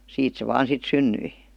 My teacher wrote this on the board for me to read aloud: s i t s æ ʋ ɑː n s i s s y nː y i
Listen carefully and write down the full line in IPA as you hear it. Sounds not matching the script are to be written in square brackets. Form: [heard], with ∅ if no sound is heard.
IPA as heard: s [iː] t s [e] ʋ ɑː n s i [t] s y nː y i